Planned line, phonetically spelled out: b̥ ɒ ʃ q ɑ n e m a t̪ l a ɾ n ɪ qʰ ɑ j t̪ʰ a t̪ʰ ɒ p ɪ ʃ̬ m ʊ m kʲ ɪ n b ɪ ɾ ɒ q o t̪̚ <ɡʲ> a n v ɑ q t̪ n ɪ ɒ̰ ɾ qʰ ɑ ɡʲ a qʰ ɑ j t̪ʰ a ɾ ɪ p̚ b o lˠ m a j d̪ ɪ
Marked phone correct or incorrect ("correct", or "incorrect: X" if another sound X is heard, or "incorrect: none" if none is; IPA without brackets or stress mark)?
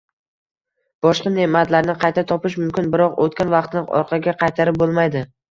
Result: incorrect: kʲ